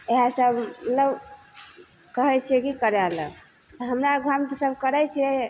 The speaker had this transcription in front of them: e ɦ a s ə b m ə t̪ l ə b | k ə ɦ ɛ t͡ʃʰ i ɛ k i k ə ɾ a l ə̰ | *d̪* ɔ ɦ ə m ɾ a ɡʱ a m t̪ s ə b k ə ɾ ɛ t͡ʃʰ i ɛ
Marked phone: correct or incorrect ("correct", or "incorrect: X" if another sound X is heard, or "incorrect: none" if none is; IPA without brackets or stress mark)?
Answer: incorrect: t̪